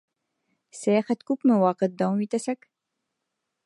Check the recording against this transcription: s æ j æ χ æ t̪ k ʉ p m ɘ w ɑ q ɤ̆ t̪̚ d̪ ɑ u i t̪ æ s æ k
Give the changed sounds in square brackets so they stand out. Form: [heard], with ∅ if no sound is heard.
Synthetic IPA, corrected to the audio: s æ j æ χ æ t̪ k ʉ p m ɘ w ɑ q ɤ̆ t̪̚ d̪ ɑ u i t̪ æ s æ k